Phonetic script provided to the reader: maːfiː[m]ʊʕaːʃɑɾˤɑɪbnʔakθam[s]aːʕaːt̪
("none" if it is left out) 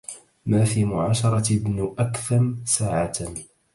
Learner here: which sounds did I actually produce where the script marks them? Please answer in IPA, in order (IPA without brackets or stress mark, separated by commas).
m, s